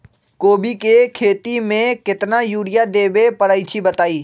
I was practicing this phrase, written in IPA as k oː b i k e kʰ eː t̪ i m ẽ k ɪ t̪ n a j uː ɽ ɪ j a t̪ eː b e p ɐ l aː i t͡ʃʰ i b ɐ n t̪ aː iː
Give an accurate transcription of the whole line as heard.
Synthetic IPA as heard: k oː b i k e kʰ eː t̪ i m ẽ k ɪ t̪ n a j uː ɽ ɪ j a d̪ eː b e p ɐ ɽ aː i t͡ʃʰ i b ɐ t̪ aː iː